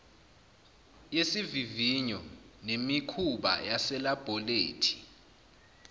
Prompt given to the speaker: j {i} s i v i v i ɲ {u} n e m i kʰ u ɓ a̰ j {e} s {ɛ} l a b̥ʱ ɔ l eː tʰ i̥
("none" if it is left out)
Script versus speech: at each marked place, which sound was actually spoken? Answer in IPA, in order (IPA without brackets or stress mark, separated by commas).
e, ɔ, a, ɛ